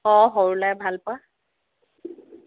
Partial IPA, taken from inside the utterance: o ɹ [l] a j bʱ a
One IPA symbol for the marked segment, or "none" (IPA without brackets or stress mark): l